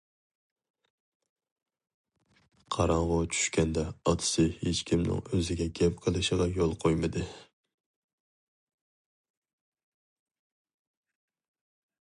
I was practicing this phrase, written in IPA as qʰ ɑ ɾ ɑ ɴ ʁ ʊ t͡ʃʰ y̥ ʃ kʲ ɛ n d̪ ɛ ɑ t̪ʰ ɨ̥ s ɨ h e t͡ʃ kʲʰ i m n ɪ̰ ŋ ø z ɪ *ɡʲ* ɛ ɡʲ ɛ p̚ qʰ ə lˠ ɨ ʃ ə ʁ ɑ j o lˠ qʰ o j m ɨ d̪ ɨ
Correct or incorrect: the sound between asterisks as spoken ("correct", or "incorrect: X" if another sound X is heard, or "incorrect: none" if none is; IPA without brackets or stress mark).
correct